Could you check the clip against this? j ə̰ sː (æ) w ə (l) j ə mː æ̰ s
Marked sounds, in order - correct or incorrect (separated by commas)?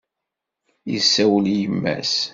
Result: correct, correct